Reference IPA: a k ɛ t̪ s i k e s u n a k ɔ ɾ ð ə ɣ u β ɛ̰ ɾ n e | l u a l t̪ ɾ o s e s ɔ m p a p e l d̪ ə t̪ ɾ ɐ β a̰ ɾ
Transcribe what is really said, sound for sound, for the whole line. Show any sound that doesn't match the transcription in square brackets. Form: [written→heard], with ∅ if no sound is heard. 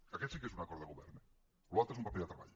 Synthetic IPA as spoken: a k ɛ t̪ s i k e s u n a k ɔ ɾ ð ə ɣ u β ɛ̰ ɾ n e | l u a l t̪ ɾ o [s→∅] e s [ɔ→u] m p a p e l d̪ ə t̪ ɾ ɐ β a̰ [ɾ→ʎ]